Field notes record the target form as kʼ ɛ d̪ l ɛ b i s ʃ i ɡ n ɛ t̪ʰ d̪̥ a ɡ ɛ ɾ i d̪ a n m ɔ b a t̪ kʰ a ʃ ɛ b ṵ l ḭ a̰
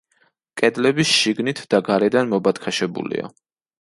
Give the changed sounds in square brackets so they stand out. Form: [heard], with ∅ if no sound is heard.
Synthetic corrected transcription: kʼ ɛ d̪ l ɛ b i s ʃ i ɡ n [i] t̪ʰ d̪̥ a ɡ [a] ɾ [ɛ] d̪ a n m ɔ b a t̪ kʰ a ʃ ɛ b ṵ l ḭ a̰

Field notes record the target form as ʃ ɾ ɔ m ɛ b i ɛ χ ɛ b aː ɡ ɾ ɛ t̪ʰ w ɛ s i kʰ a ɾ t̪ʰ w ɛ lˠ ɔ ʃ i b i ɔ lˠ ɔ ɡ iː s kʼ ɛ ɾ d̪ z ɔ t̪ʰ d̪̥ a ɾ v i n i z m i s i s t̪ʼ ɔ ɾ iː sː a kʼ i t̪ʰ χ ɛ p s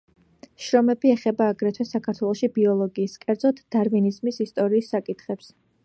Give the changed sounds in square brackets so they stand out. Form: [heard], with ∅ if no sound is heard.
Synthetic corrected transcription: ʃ ɾ ɔ m ɛ b i ɛ χ ɛ b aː ɡ ɾ ɛ t̪ʰ w ɛ s [a] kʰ a ɾ t̪ʰ w ɛ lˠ ɔ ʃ i b i ɔ lˠ ɔ ɡ iː s kʼ ɛ ɾ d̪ z ɔ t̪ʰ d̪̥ a ɾ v i n i z m i s i s t̪ʼ ɔ ɾ iː sː a kʼ i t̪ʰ χ ɛ p s

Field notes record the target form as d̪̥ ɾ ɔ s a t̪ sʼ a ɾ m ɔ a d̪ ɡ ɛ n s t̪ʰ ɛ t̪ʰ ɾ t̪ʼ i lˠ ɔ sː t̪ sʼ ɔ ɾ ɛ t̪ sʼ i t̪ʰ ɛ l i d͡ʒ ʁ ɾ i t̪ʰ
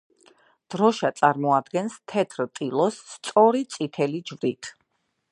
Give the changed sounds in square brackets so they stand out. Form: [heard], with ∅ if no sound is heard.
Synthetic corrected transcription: d̪̥ ɾ ɔ [ʃ] a t̪ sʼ a ɾ m ɔ a d̪ ɡ ɛ n s t̪ʰ ɛ t̪ʰ ɾ t̪ʼ i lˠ ɔ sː t̪ sʼ ɔ ɾ [i] t̪ sʼ i t̪ʰ ɛ l i d͡ʒ [v] ɾ i t̪ʰ

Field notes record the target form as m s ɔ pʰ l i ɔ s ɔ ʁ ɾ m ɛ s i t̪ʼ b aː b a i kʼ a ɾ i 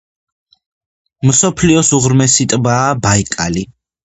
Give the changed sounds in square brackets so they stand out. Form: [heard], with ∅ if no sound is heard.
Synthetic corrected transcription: m s ɔ pʰ l i ɔ s [u] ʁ ɾ m ɛ s i t̪ʼ b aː b a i kʼ a [l] i

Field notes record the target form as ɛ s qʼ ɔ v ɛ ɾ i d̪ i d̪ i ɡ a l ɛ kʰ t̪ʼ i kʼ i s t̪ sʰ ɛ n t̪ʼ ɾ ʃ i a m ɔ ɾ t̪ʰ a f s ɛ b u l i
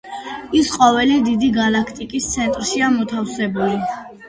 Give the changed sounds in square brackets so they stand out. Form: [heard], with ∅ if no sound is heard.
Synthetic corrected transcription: [i] s qʼ ɔ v ɛ [l] i d̪ i d̪ i ɡ a l [a] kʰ t̪ʼ i kʼ i s t̪ sʰ ɛ n t̪ʼ ɾ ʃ i a m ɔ [∅] t̪ʰ a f s ɛ b u l i

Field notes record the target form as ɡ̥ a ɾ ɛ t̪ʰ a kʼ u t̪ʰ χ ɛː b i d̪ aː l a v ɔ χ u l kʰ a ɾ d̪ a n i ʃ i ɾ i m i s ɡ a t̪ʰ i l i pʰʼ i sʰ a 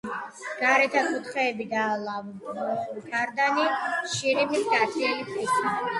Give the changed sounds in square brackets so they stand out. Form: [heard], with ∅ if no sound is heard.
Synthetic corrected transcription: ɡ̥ a ɾ ɛ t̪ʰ a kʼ u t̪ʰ χ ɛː b i d̪ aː l a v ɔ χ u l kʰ a ɾ d̪ a n i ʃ i ɾ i m i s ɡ a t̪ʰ i l i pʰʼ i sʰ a

